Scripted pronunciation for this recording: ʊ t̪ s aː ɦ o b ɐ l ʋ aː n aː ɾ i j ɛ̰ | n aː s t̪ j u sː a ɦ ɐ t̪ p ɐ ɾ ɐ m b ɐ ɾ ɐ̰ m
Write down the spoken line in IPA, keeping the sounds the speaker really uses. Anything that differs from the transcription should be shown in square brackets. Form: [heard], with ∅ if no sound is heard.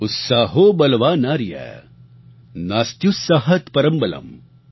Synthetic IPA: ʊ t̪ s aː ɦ o b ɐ l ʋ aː n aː ɾ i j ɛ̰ | n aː s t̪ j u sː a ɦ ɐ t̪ p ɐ ɾ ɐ m b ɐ [l] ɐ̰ m